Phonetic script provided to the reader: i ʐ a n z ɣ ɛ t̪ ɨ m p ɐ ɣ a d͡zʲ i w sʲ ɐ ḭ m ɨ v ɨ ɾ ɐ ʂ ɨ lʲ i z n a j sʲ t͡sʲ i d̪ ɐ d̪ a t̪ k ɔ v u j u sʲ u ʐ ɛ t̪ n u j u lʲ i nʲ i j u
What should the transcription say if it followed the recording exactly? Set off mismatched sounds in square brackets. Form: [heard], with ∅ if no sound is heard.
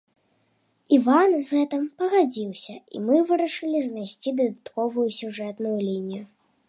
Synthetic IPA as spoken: i [v] a n z ɣ ɛ t̪ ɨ m p ɐ ɣ a d͡zʲ i w sʲ ɐ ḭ m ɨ v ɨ ɾ ɐ ʂ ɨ lʲ i z n a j sʲ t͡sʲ i d̪ ɐ d̪ a t̪ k ɔ v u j u sʲ u ʐ ɛ t̪ n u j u lʲ i nʲ i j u